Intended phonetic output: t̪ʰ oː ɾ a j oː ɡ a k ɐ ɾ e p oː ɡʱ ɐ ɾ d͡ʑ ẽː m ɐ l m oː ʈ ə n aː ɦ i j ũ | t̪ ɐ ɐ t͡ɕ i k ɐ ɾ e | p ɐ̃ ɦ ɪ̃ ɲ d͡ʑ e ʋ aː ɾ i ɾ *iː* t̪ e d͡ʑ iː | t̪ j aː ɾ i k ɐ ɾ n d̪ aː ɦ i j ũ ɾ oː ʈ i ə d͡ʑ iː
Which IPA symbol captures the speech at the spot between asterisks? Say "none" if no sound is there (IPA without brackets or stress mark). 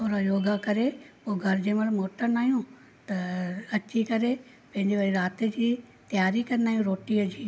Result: aː